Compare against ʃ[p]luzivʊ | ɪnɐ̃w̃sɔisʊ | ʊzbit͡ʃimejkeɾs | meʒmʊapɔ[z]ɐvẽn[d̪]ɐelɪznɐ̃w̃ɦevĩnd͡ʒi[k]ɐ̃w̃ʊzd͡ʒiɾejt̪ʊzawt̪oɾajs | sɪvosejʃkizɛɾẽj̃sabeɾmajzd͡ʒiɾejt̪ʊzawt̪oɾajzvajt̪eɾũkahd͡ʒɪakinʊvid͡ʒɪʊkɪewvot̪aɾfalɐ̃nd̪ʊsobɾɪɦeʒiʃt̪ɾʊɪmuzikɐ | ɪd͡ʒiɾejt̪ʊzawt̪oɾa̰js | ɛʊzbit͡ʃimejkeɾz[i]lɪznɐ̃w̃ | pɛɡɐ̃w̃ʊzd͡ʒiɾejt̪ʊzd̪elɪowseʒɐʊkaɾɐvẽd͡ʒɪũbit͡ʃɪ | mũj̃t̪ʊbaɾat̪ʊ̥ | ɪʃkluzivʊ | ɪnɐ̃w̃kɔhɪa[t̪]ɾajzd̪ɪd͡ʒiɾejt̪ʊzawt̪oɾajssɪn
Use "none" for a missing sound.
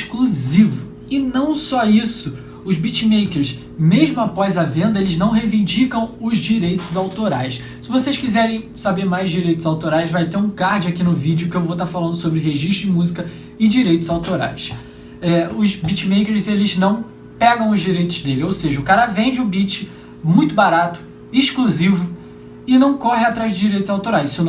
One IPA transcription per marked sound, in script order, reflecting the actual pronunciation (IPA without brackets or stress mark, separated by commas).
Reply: k, z, d̪, k, e, t̪